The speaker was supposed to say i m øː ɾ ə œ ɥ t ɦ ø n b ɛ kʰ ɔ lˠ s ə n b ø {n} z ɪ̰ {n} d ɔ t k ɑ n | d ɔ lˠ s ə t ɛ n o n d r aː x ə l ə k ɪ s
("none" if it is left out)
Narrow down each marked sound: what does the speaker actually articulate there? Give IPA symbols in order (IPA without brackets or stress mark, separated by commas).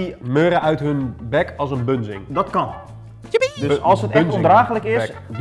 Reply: n, ŋ